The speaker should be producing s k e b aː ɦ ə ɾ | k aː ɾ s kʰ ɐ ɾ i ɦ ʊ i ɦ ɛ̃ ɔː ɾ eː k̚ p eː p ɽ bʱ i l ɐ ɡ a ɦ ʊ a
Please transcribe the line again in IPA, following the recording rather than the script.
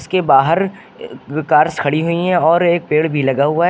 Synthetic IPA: s k e b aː ɦ ə ɾ | k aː ɾ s kʰ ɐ ɽ i ɦ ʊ i ɦ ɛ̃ ɔː ɾ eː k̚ p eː ɽ bʱ i l ɐ ɡ a ɦ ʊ a